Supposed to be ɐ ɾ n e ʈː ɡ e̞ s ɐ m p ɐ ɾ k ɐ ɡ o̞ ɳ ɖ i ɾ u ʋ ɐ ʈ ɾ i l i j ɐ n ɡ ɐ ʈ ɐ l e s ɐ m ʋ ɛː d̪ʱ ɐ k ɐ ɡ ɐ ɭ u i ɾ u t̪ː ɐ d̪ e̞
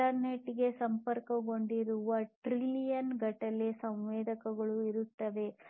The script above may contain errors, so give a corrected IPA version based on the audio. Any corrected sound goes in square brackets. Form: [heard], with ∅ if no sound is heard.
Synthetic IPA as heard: ɐ ɾ n e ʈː ɡ e̞ s ɐ m p ɐ ɾ k ɐ ɡ o̞ ɳ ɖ i ɾ u ʋ ɐ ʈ ɾ i l i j ɐ n ɡ ɐ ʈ ɐ l e s ɐ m ʋ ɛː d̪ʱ ɐ k ɐ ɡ ɐ ɭ u i ɾ u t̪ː ɐ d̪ e̞